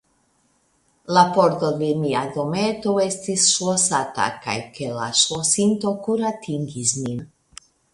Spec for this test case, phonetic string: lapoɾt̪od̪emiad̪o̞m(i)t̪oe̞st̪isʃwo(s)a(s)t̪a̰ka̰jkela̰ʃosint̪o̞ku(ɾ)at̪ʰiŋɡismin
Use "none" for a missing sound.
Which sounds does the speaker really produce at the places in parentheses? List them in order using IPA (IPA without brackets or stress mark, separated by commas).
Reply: e, s, none, ɾ